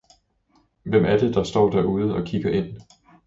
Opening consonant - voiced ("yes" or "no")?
yes